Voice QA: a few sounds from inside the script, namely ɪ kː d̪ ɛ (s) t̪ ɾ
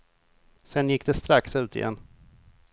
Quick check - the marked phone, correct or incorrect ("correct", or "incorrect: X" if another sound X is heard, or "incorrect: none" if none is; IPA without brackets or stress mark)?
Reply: correct